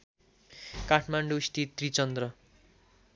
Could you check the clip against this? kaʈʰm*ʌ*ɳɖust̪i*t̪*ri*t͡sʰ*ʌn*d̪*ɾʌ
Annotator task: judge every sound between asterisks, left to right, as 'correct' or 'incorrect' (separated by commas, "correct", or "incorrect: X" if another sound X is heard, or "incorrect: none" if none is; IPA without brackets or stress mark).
incorrect: a, correct, incorrect: t͡s, correct